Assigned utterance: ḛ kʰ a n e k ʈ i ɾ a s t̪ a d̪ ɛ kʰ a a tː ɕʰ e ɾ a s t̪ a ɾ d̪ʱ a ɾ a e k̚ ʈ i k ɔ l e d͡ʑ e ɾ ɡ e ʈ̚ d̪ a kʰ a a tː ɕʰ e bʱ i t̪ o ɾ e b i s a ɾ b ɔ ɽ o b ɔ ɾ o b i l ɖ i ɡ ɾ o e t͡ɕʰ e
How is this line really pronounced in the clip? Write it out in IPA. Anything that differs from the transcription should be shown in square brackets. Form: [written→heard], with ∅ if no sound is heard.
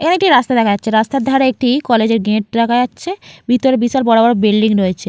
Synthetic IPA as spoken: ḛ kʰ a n e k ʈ i ɾ a s t̪ a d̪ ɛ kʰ a a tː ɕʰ e ɾ a s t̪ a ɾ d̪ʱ a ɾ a e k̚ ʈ i k ɔ l e d͡ʑ e ɾ ɡ e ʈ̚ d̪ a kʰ a a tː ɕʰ e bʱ i t̪ o ɾ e b i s a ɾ b ɔ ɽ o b ɔ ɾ o b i l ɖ i [ɡ→ŋ] ɾ o e t͡ɕʰ e